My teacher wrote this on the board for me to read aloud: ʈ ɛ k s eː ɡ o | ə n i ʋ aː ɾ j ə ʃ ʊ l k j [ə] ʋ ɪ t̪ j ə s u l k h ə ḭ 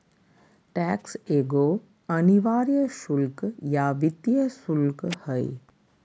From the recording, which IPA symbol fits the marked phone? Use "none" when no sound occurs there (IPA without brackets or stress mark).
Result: a